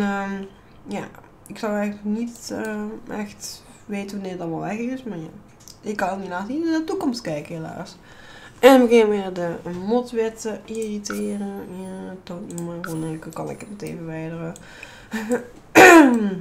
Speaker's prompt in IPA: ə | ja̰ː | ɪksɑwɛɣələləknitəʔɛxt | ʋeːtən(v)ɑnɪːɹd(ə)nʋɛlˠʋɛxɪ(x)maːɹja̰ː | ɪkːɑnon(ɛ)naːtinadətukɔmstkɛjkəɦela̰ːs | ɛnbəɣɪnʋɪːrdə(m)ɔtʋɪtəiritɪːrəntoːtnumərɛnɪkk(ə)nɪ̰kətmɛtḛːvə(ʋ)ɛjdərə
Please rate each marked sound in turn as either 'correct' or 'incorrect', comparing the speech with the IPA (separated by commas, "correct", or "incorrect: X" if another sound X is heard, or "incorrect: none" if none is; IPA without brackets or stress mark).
incorrect: ʋ, incorrect: ɑ, incorrect: s, incorrect: i, correct, incorrect: ɑ, correct